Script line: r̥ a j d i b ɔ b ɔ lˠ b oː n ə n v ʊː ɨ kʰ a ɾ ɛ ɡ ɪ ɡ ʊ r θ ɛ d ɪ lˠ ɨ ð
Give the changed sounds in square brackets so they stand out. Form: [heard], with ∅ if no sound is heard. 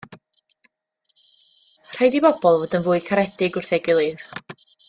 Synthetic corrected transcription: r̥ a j d i b ɔ b ɔ lˠ [v] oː [d] ə n v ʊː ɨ kʰ a ɾ ɛ [d] ɪ ɡ ʊ r θ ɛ [ɡ] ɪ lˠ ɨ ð